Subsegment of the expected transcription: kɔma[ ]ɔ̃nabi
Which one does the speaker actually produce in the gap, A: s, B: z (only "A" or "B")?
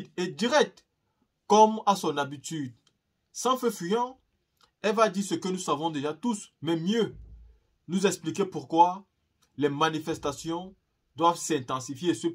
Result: A